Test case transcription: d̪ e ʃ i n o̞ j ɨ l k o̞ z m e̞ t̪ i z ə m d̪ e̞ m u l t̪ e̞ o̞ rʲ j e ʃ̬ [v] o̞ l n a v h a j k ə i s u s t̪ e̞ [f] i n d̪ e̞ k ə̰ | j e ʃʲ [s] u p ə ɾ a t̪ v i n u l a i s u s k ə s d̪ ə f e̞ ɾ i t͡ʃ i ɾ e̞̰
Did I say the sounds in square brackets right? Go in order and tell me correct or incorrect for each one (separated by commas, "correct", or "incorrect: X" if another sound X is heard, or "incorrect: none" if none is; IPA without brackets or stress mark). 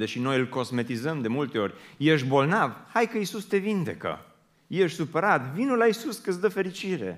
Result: incorrect: b, incorrect: v, correct